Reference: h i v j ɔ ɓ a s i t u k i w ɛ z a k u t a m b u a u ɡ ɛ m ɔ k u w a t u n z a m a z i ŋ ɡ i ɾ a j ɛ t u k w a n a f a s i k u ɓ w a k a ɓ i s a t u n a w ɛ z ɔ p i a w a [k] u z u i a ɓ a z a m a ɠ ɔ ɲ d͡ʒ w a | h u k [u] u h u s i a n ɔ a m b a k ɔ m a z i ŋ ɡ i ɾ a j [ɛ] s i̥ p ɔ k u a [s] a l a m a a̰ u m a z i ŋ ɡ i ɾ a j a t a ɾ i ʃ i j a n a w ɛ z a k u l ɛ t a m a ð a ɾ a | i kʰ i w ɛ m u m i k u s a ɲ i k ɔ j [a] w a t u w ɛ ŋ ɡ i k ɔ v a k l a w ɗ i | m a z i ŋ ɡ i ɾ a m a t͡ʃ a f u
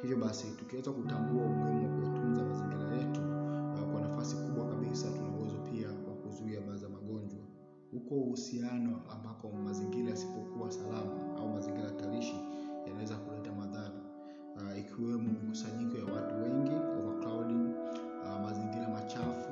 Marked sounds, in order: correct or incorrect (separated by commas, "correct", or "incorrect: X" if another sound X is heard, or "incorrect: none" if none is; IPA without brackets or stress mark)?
correct, incorrect: ɔ, incorrect: a, correct, correct